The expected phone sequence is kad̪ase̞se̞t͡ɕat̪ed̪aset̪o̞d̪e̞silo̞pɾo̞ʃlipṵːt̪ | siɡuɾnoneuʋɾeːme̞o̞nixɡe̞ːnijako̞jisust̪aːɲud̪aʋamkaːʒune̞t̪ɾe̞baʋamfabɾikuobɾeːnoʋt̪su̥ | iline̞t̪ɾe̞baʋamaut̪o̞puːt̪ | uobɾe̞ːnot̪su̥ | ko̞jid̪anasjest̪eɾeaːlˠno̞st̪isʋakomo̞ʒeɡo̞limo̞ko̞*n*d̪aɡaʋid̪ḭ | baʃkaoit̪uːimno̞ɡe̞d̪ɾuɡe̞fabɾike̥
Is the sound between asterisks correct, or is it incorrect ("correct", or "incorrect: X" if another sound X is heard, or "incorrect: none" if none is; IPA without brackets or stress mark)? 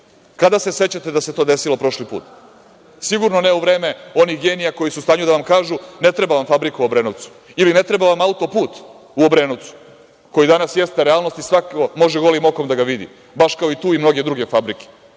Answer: incorrect: m